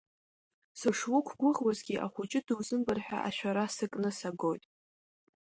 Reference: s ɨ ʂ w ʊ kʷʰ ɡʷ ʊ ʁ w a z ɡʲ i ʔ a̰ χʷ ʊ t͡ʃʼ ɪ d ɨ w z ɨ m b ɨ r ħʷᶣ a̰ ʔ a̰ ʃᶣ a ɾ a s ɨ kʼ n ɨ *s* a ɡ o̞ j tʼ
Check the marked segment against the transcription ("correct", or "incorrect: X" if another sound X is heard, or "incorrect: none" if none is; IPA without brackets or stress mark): correct